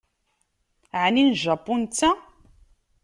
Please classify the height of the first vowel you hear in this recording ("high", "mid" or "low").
high